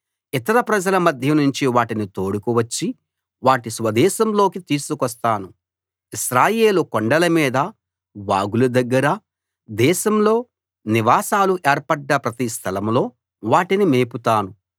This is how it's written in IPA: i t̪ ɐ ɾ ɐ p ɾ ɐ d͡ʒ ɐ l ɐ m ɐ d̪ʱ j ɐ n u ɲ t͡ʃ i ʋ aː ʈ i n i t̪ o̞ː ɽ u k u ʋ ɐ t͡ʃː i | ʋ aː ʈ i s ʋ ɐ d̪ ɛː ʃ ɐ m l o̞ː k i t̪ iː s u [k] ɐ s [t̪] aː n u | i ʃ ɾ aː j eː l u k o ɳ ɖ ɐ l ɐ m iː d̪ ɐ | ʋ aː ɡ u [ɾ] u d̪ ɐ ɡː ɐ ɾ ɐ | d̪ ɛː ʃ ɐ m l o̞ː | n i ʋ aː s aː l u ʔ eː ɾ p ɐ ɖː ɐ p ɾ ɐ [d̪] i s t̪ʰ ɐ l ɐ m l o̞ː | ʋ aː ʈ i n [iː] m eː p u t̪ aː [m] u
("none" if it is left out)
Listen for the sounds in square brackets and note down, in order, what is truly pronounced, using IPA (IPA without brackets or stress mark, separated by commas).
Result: k, t̪, l, t̪, i, n